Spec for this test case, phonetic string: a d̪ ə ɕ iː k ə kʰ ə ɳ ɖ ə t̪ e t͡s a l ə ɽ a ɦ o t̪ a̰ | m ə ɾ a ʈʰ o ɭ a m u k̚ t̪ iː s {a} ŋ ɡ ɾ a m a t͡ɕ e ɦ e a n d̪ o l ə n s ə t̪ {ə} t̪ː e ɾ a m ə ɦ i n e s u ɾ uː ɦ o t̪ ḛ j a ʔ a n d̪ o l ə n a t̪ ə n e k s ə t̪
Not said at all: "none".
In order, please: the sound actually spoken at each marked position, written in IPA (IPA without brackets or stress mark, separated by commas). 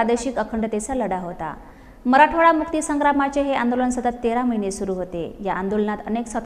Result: ə, ə